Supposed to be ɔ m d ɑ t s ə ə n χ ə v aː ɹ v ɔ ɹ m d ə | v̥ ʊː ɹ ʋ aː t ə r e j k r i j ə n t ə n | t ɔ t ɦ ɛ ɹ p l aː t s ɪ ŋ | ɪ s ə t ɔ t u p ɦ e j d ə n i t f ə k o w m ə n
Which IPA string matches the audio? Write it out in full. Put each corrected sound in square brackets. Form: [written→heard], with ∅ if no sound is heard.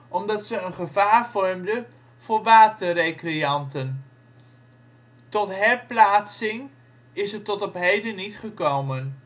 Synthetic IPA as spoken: ɔ m d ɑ t s ə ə n χ ə v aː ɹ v ɔ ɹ m d ə | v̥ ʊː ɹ ʋ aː t ə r e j k r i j [ə→ɑ] n t ə n | t ɔ t ɦ ɛ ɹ p l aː t s ɪ ŋ | ɪ s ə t ɔ t [u→ɔ] p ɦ e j d ə n i t [f→χ] ə k o w m ə n